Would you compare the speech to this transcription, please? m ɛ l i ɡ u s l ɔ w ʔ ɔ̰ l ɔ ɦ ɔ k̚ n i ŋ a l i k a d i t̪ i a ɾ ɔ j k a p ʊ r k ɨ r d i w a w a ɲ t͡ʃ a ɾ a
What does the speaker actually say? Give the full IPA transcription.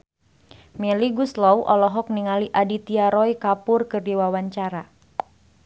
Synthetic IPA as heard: m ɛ l i ɡ u s l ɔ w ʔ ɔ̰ l ɔ ɦ ɔ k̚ n i ŋ a l i ʔ a d i t̪ i a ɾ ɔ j k a p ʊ r k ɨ r d i w a w a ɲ t͡ʃ a ɾ a